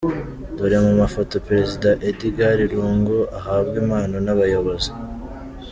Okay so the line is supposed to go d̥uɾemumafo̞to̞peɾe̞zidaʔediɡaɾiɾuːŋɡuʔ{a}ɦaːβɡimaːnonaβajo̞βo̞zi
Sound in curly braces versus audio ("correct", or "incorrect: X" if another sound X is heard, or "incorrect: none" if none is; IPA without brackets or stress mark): correct